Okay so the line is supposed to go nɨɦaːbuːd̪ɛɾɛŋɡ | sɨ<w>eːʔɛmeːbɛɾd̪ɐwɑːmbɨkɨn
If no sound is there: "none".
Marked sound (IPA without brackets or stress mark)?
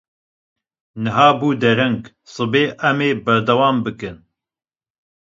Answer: b